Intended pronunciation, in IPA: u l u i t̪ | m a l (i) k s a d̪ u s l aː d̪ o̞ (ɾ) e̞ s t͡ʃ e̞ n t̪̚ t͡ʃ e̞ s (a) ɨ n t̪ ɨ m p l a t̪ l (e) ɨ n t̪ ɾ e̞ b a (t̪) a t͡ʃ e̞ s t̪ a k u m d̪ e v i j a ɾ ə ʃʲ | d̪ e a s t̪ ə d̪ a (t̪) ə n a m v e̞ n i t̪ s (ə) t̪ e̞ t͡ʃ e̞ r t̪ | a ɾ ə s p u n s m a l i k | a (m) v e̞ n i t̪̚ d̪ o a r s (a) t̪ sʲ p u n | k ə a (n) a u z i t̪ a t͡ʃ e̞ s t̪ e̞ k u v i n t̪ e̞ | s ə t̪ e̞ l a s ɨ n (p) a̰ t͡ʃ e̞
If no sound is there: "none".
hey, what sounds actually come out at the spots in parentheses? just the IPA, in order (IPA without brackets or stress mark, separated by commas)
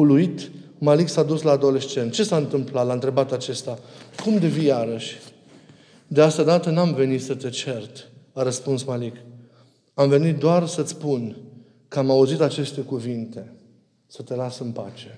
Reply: i, l, a, a, t̪, t̪, ə, m, ə, m, p